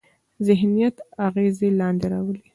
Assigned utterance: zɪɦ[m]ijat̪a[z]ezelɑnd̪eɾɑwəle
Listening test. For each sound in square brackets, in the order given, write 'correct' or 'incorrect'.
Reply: incorrect: n, incorrect: ɣ

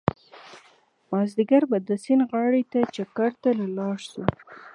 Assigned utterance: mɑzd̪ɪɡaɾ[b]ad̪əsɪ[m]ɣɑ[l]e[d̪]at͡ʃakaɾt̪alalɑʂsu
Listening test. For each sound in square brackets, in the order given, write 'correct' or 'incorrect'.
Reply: correct, incorrect: n, incorrect: ɽ, incorrect: t̪

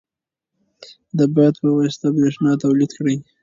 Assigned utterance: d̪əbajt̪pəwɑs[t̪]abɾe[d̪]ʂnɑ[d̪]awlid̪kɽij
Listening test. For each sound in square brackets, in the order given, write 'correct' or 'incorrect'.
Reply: correct, incorrect: none, incorrect: t̪

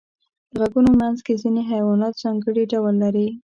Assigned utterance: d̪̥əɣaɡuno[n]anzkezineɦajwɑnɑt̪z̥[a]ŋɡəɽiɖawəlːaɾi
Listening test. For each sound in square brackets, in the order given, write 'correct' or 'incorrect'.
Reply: incorrect: m, incorrect: ɑ

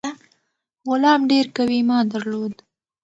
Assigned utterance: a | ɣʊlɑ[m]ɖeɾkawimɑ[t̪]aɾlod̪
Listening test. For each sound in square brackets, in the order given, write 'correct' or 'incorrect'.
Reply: correct, incorrect: d̪

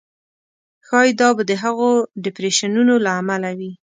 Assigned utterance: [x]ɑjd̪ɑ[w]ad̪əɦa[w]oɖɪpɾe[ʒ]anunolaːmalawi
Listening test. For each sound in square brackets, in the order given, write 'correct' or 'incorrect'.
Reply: correct, incorrect: b, incorrect: ɣ, incorrect: ʃ

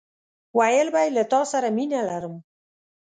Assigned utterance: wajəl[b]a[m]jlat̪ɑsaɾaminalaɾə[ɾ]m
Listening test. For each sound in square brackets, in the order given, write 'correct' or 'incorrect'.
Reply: correct, incorrect: none, incorrect: none

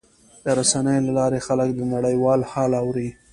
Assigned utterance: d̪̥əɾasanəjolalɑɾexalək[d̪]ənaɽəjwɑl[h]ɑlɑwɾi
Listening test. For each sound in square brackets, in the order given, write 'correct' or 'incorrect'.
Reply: correct, correct

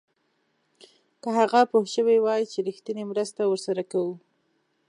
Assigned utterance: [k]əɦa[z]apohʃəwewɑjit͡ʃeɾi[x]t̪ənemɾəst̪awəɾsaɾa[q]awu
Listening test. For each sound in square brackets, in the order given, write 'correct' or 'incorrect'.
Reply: correct, incorrect: ɣ, correct, incorrect: k

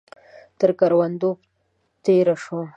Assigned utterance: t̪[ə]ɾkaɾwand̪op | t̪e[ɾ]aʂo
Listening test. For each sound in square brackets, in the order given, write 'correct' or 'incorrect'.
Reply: correct, correct

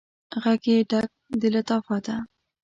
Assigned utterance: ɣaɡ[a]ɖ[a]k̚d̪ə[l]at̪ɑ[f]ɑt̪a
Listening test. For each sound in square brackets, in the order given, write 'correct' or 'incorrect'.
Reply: incorrect: e, correct, correct, correct

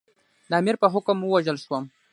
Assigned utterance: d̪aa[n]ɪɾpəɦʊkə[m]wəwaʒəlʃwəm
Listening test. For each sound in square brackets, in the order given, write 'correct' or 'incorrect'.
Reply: incorrect: m, correct

